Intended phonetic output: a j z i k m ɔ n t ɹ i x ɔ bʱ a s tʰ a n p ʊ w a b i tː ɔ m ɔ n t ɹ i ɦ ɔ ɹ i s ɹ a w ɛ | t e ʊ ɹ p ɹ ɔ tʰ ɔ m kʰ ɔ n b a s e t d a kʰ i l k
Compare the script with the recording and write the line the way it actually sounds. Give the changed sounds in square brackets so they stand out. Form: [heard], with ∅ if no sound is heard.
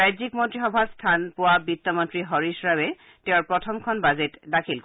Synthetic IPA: a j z i k m ɔ n t ɹ i x ɔ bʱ a s tʰ a n p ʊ w a b i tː ɔ m ɔ n t ɹ i ɦ ɔ ɹ i s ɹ a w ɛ | t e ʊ ɹ p ɹ ɔ tʰ ɔ m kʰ ɔ n b a [z] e t d a kʰ i l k